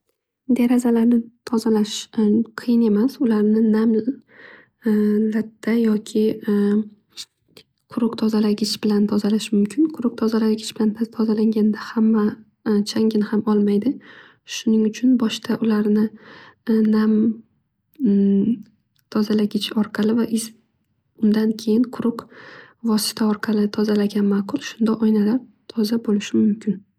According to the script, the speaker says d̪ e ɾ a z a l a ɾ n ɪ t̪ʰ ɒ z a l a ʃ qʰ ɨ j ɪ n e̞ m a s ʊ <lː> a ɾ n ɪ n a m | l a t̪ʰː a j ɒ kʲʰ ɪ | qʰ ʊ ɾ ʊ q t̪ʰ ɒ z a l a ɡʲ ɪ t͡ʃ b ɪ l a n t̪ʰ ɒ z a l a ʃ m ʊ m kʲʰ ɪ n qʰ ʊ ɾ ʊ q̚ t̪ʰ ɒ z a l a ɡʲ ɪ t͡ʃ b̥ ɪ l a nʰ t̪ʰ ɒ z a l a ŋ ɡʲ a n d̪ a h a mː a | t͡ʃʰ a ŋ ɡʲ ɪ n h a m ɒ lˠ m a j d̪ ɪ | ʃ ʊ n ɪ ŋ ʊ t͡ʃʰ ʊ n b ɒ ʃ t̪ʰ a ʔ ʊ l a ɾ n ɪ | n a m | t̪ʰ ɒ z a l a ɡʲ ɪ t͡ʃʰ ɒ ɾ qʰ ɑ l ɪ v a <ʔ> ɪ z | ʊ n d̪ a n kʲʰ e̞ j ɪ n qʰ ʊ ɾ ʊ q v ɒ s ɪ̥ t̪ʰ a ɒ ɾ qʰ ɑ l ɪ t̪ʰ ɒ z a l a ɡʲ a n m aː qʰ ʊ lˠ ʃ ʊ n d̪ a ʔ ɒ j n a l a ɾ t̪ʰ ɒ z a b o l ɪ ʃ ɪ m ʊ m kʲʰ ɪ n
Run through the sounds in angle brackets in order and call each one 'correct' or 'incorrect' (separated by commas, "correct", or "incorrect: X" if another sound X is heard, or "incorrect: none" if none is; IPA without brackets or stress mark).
incorrect: l, correct